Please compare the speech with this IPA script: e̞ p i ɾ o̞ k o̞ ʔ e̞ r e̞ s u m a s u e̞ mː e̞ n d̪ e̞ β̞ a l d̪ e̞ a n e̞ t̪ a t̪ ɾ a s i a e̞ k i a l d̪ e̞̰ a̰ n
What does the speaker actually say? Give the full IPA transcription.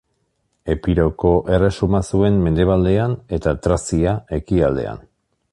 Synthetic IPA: e̞ p i ɾ o̞ k o̞ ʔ e̞ r e̞ s u m a s u e̞ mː e̞ n d̪ e̞ β̞ a l d̪ e̞ a n e̞ t̪ a t̪ ɾ a s i a e̞ k i a l d̪ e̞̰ a̰ n